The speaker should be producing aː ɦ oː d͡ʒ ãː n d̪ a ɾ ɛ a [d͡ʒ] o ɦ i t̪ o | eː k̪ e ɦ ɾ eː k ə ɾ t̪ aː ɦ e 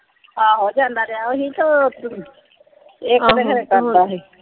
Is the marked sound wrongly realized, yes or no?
yes